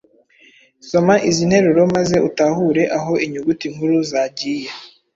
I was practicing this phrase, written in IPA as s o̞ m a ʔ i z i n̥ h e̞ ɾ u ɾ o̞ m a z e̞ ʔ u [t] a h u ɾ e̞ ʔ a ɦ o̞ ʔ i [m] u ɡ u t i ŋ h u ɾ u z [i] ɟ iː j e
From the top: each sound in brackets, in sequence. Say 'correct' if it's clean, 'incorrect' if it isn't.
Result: correct, incorrect: ɲ, incorrect: a

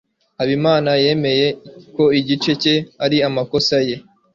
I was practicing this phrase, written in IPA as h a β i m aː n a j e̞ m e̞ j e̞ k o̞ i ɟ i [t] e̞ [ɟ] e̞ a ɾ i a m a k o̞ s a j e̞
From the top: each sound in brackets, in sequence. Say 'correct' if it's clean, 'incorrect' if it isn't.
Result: incorrect: t͡ʃ, incorrect: c

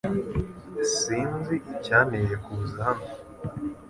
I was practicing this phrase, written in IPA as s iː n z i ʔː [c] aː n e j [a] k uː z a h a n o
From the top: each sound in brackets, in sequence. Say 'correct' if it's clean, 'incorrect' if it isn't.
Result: correct, incorrect: e

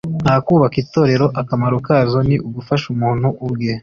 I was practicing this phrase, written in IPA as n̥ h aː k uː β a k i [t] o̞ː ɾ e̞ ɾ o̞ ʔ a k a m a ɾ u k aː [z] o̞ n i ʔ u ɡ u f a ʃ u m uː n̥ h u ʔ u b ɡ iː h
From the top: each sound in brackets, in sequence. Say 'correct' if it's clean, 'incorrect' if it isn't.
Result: correct, correct

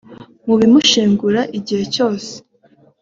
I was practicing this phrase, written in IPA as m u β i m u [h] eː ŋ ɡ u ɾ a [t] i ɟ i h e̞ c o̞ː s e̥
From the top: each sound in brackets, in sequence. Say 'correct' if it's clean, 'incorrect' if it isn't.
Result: incorrect: ʃ, incorrect: ʔ

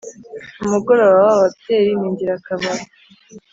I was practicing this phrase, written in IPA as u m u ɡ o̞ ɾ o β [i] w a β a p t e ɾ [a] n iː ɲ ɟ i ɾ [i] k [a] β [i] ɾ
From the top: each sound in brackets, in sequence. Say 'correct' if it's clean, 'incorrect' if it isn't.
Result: incorrect: a, incorrect: i, incorrect: a, correct, incorrect: a

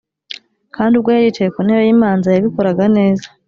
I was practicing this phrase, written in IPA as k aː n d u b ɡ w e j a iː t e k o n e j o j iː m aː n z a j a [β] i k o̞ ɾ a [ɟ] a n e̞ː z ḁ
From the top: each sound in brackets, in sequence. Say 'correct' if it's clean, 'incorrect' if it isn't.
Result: correct, incorrect: ɡ

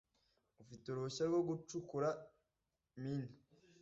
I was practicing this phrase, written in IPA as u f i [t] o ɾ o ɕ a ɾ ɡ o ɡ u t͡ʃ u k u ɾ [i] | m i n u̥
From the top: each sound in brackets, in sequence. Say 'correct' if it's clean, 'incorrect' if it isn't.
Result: correct, incorrect: a

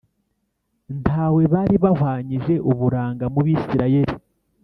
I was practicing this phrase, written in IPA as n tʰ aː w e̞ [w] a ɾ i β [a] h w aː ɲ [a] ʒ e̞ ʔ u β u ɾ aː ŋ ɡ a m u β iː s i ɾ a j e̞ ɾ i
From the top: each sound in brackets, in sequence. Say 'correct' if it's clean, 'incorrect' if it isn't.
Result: incorrect: β, correct, incorrect: i

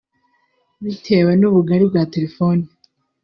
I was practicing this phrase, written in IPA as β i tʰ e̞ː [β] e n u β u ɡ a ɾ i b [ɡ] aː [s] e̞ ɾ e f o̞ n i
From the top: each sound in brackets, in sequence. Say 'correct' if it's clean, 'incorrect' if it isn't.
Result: incorrect: w, correct, incorrect: t

